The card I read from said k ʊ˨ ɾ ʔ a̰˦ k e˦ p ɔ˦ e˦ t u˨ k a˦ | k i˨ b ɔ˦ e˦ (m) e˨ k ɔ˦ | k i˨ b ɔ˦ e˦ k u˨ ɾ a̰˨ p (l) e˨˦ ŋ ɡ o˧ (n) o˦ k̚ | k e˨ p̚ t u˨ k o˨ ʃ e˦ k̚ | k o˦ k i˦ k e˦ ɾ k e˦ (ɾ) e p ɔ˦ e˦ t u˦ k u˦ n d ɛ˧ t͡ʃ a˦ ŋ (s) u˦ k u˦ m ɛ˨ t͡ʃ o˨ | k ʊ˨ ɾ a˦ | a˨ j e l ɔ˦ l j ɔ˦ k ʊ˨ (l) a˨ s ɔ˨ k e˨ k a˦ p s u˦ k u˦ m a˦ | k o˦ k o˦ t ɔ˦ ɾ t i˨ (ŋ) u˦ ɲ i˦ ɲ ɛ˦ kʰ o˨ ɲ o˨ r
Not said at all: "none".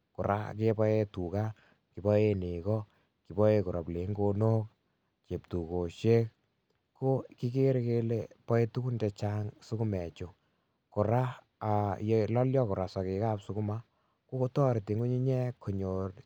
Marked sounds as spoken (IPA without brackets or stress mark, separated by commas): n, l, n, l, s, ɾ, ŋ